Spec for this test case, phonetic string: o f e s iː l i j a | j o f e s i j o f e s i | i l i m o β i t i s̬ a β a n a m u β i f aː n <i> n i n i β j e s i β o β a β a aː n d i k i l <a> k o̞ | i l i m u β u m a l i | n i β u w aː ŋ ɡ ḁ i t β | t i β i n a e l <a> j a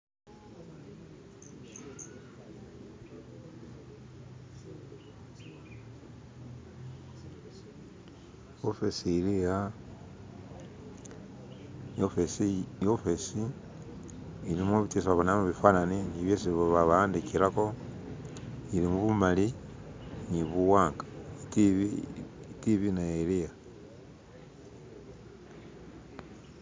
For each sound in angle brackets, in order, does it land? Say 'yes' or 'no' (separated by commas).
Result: no, yes, no